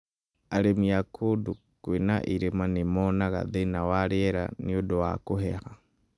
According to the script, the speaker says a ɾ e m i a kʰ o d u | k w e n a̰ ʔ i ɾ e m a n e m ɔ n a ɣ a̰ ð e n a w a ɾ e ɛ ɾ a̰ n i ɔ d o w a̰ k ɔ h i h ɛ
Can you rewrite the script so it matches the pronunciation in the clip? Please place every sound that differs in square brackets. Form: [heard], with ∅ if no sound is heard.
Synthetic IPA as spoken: a ɾ e m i a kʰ o d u | k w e n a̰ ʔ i ɾ e m a n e m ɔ n a ɣ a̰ ð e n a w a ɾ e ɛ ɾ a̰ n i [o] d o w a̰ k [o] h [ɛ] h [a]